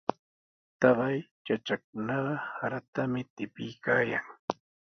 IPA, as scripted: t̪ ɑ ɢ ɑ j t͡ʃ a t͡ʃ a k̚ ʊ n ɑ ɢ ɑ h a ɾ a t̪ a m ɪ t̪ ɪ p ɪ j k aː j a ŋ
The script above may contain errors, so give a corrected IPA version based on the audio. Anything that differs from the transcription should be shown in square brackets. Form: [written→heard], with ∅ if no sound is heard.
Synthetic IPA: t̪ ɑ ɢ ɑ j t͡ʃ a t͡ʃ a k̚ ʊ n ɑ ɢ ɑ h a ɾ a t̪ a m ɪ t̪ ɪ p ɪ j k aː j a ŋ